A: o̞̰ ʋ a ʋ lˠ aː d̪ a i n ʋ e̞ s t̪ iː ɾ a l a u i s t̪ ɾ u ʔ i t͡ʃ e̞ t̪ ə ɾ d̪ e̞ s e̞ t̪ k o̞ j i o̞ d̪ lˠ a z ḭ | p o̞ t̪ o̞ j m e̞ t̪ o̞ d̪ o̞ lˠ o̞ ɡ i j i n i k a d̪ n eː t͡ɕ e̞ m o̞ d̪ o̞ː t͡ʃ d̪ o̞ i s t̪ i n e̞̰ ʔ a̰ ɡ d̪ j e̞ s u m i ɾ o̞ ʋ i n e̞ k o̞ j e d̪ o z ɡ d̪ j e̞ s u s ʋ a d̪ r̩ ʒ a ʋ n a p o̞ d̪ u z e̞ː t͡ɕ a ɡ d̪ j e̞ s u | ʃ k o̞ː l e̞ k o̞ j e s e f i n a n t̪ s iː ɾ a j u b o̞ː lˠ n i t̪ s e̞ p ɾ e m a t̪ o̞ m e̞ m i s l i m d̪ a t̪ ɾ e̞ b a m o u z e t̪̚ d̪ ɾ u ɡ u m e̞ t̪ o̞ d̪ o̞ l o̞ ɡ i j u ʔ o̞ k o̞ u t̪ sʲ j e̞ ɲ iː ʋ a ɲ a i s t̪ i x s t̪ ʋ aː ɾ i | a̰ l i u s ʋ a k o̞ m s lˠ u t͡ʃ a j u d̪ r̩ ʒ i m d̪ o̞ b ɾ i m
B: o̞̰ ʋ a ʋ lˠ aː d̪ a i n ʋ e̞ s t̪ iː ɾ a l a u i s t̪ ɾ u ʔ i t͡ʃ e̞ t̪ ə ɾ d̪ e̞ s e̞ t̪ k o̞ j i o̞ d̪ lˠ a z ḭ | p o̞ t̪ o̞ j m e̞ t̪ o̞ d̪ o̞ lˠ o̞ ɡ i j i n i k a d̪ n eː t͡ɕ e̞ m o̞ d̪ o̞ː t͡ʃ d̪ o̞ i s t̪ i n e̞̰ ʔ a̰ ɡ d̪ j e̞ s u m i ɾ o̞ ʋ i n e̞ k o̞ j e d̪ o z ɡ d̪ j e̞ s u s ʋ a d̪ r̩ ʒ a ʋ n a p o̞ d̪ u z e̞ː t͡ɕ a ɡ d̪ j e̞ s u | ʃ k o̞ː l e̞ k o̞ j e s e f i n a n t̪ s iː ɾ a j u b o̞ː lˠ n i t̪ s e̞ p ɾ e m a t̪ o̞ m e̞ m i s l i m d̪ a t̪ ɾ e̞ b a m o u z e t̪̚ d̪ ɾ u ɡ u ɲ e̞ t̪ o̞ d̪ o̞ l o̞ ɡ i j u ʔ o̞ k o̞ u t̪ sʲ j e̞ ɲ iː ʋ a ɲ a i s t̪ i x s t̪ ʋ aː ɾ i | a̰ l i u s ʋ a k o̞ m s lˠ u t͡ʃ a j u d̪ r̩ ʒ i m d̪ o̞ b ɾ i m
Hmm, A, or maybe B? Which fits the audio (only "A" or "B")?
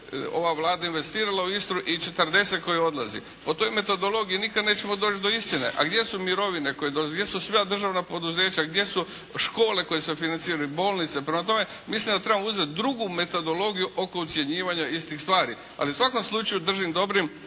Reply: A